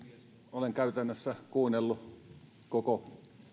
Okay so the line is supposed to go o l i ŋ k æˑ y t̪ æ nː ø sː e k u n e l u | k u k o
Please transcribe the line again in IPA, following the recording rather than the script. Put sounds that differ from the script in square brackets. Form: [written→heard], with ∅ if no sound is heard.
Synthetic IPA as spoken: o l [i→e] ŋ k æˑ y t̪ æ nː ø sː [e→æ] k [u→uː] n e [l→lː] u | k [u→o] k o